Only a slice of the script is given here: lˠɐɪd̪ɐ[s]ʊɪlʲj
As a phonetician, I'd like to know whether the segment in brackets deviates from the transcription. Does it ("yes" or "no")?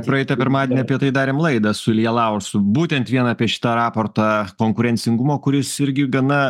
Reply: no